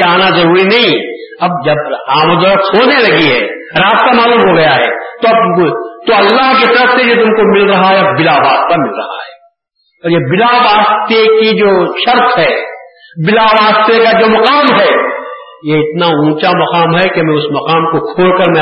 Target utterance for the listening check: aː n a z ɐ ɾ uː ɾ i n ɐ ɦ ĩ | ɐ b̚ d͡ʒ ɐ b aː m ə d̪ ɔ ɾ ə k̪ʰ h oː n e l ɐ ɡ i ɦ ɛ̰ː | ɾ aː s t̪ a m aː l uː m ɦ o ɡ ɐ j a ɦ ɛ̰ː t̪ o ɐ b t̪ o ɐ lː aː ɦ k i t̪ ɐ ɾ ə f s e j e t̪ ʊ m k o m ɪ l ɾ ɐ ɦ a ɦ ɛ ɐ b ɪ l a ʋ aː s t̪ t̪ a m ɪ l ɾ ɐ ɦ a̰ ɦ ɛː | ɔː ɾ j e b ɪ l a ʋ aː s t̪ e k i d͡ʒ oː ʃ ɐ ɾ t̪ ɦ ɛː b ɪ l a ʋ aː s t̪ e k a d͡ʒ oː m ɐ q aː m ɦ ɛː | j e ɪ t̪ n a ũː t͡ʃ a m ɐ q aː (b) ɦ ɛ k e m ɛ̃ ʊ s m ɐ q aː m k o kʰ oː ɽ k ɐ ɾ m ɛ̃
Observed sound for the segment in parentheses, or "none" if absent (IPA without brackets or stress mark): m